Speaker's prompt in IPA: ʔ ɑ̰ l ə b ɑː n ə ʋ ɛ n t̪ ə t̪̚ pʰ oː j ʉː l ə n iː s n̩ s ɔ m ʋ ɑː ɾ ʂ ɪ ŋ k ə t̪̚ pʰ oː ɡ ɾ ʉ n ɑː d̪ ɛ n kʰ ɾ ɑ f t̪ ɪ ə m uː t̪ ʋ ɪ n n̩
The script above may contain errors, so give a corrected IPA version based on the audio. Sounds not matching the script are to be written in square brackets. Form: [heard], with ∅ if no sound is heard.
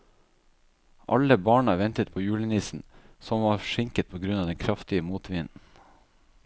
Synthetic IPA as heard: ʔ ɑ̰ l ə b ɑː [ɳ] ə ʋ ɛ n t̪ ə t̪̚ pʰ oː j ʉː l ə n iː s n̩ s ɔ m ʋ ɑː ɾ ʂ ɪ ŋ k ə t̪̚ pʰ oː ɡ ɾ ʉ n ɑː d̪ ɛ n kʰ ɾ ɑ f t̪ ɪ ə m uː t̪ ʋ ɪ n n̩